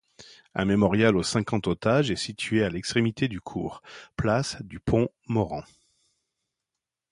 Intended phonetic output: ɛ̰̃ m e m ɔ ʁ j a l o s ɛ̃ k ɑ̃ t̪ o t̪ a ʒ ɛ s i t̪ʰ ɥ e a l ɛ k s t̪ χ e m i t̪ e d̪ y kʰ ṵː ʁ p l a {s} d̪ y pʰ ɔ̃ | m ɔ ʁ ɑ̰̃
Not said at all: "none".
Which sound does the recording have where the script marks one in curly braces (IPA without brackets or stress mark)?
s